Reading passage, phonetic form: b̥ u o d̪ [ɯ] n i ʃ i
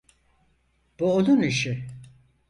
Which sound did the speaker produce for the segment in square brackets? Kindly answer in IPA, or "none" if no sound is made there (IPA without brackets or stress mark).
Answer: u